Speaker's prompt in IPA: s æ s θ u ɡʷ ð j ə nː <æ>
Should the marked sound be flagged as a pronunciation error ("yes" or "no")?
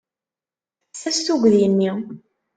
yes